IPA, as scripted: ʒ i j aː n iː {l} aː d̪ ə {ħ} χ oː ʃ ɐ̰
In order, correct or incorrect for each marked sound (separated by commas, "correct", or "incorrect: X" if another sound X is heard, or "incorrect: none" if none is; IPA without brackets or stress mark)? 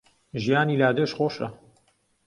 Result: correct, incorrect: ʃ